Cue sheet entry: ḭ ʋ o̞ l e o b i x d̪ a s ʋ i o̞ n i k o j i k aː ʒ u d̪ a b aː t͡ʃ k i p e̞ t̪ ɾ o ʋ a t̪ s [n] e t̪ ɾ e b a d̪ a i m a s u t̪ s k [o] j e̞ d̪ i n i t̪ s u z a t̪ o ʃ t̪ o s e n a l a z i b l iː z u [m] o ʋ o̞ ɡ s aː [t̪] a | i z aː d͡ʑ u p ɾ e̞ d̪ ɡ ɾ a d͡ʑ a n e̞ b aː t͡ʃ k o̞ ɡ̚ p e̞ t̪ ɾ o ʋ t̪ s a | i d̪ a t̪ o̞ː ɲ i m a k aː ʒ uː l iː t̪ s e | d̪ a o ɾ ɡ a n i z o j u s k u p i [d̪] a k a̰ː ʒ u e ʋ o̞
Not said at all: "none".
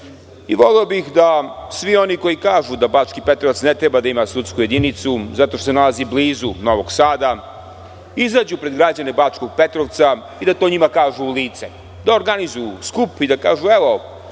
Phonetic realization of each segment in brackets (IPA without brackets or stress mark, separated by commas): n, u, n, d̪, d̪